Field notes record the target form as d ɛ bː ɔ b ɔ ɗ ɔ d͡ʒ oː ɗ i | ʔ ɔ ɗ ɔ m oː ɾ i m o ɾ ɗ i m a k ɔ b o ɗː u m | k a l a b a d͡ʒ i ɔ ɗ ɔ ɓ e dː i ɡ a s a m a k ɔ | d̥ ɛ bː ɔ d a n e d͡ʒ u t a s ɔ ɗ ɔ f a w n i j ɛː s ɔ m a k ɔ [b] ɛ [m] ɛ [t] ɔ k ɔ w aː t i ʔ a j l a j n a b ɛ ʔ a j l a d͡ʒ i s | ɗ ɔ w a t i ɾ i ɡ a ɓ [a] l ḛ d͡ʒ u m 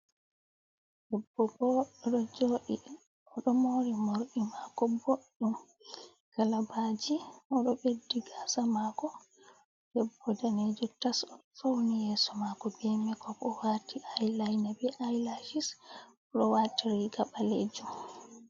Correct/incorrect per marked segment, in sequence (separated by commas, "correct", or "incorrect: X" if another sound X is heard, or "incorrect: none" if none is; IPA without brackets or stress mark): correct, correct, incorrect: k, correct